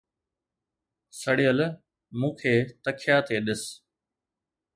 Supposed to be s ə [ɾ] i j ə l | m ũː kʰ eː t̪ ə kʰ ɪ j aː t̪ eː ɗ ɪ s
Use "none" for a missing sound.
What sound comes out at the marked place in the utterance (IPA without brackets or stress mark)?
ɽ